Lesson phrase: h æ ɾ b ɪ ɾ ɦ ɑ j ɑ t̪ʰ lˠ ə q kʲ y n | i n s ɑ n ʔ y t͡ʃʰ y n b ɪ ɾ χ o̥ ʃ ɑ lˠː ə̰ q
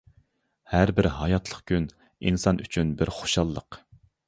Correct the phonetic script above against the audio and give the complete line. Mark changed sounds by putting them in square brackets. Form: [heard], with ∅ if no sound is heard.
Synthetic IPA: h æ ɾ b ɪ ɾ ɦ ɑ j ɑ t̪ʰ lˠ ə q kʲ y n | i n s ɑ n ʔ y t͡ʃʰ y n b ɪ ɾ χ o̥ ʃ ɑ lˠː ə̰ q